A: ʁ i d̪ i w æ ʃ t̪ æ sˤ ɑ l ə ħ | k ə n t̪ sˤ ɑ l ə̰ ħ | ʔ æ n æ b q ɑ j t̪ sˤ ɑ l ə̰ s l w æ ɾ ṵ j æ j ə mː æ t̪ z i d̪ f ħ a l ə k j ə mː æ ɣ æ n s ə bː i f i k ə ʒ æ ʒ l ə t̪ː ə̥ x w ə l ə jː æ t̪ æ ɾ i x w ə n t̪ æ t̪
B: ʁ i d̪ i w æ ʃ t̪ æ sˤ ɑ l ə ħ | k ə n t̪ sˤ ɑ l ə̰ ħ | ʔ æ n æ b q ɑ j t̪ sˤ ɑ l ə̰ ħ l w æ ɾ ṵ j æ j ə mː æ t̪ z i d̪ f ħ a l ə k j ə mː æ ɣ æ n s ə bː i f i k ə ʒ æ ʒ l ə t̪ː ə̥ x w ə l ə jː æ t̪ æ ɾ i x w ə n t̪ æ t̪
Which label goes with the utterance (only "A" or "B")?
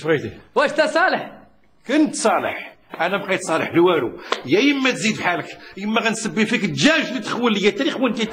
B